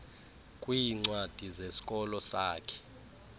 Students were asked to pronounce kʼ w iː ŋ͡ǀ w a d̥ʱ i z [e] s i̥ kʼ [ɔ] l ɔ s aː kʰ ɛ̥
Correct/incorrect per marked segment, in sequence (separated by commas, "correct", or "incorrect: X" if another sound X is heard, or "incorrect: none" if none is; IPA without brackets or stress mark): correct, correct